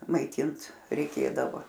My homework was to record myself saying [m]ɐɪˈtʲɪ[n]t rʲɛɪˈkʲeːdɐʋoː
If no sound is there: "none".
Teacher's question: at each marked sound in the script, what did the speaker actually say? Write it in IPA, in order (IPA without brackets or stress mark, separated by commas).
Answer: m, n